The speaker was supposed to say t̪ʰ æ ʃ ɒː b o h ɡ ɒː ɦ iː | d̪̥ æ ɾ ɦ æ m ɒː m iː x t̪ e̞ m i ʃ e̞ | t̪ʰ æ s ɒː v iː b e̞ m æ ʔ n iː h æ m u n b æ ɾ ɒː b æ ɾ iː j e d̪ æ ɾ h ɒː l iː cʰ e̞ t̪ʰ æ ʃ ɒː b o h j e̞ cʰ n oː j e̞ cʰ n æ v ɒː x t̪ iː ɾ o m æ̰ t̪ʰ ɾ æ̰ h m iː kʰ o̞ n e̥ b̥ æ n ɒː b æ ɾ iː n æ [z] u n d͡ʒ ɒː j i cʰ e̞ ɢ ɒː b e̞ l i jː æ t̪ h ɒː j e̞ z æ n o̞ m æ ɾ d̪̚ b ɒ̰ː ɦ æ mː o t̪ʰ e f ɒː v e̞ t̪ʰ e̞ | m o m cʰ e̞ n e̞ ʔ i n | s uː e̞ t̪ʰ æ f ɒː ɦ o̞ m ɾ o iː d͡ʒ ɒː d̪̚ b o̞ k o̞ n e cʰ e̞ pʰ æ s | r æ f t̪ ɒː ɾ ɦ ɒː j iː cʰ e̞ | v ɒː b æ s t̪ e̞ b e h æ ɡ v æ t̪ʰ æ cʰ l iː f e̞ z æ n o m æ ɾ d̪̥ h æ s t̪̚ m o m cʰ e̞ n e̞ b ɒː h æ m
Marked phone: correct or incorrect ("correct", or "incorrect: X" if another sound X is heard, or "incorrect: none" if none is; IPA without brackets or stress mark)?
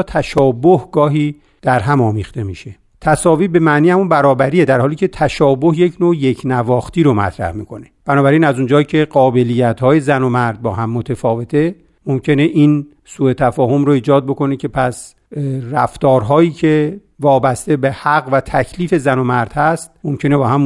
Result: correct